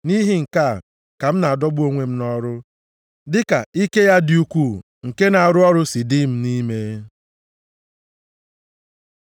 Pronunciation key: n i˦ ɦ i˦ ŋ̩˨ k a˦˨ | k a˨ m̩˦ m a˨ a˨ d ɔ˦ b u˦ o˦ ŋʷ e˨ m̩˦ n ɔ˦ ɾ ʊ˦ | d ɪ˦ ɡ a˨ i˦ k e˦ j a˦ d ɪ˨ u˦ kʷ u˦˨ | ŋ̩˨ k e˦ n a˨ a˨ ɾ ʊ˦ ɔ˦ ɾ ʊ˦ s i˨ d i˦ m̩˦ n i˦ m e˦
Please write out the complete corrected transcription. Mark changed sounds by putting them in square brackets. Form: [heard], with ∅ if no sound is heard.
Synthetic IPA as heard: n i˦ ɦ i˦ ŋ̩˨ k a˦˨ | k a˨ m̩˦ [n] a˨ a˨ d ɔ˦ b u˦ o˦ ŋʷ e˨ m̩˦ n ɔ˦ ɾ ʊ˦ | d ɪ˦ [k] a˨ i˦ k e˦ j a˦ d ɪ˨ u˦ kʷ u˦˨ | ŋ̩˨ k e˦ n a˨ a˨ ɾ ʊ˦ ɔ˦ ɾ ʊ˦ s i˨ d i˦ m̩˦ n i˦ m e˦